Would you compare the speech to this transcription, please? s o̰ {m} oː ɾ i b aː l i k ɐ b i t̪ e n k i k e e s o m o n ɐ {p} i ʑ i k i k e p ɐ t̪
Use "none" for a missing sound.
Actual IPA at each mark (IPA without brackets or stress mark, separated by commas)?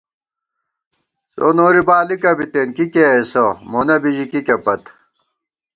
n, b